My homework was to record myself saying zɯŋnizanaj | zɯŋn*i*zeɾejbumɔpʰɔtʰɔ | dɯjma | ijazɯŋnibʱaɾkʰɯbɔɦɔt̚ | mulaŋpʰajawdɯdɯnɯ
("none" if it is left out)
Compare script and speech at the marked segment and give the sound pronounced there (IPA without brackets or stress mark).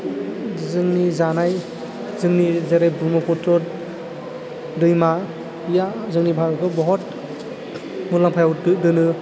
i